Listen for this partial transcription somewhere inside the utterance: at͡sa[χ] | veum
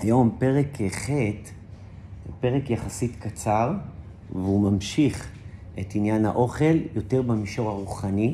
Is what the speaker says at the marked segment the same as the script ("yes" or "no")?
no